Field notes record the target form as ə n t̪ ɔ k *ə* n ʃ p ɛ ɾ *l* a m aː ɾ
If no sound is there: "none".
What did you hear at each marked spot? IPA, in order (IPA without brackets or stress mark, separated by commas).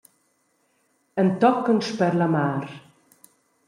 ə, l